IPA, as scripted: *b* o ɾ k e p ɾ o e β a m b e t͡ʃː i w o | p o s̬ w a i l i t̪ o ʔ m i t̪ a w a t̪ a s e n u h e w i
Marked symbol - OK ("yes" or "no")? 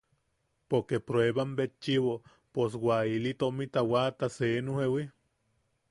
no